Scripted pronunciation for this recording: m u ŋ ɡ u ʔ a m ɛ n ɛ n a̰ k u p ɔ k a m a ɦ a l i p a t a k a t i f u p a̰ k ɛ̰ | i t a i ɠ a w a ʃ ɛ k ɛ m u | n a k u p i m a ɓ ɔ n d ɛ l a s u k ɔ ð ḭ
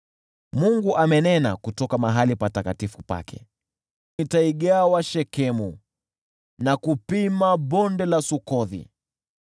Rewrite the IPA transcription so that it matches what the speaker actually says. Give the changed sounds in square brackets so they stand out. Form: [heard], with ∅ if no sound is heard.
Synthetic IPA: m u ŋ ɡ u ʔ a m ɛ n ɛ n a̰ k u [t] ɔ k a m a ɦ a l i p a t a k a t i f u p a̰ k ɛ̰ | i t a i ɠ a w a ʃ ɛ k ɛ m u | n a k u p i m a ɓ ɔ n d ɛ l a s u k ɔ ð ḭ